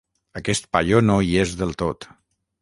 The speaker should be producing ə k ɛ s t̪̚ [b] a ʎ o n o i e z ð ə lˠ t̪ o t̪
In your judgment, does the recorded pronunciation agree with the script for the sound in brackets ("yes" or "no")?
no